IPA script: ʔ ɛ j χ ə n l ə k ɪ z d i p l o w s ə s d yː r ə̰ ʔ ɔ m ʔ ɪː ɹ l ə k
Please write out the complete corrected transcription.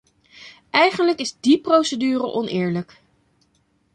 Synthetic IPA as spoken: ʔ ɛ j χ ə n l ə k ɪ z d i p r o w s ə d yː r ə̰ ʔ ɔ n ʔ ɪː ɹ l ə k